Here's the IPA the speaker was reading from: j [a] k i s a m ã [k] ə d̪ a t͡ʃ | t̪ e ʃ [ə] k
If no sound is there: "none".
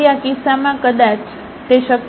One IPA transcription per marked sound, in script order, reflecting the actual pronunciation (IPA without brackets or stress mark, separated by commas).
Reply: a, k, ə